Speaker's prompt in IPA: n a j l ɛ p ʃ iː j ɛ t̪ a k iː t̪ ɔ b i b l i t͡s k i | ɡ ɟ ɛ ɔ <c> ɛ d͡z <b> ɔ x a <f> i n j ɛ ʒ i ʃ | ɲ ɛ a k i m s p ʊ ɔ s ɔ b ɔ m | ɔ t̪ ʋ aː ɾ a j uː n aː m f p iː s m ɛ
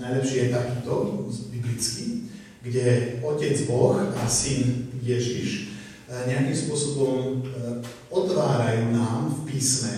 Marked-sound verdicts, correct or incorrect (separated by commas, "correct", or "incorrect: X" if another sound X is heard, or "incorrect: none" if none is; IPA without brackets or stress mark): correct, correct, incorrect: s